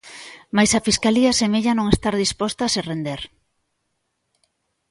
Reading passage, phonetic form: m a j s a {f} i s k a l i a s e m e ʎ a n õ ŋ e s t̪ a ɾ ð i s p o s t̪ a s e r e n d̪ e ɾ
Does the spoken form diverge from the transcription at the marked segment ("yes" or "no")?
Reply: no